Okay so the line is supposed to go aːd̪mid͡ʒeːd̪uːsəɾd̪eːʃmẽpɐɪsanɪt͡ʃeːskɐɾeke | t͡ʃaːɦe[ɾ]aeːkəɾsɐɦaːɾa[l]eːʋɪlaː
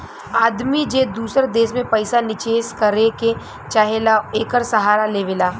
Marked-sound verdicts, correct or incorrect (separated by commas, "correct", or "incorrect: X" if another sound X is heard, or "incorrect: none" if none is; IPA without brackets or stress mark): incorrect: l, correct